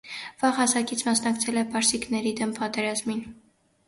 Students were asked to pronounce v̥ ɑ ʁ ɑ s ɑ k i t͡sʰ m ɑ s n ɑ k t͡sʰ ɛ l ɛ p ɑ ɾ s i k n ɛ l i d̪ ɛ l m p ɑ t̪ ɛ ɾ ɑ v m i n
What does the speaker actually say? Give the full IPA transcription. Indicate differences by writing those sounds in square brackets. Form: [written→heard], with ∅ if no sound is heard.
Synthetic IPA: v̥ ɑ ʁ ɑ s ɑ k i t͡sʰ m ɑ s n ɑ k t͡sʰ ɛ l ɛ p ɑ ɾ s i k n ɛ [l→ɾ] i d̪ ɛ [l→∅] m p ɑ t̪ ɛ ɾ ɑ [v→z] m i n